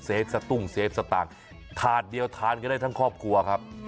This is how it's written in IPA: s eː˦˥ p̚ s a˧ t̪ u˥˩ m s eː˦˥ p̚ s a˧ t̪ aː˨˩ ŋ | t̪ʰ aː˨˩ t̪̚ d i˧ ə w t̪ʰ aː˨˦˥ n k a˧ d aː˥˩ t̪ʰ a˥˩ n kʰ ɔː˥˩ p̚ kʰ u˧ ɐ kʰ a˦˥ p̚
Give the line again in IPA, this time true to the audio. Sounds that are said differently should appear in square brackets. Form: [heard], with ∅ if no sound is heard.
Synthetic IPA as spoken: s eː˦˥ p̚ s a˧ t̪ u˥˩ [ŋ] s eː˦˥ p̚ s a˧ t̪ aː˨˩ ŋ | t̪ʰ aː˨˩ t̪̚ d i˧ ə w t̪ʰ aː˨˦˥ n k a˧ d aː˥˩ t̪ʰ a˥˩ [ŋ] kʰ ɔː˥˩ p̚ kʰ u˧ ɐ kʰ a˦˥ p̚